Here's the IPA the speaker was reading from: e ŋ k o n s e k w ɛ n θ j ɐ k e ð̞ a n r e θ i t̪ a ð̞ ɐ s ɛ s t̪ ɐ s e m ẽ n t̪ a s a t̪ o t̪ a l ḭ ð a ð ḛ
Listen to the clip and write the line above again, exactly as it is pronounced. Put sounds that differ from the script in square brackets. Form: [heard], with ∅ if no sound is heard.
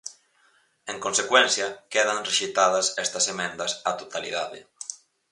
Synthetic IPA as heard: e ŋ k o n s e k w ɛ n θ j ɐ k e ð̞ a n r e [ʃ] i t̪ a ð̞ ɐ s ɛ s t̪ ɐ s e m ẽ n [d̪] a s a t̪ o t̪ a l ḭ ð a ð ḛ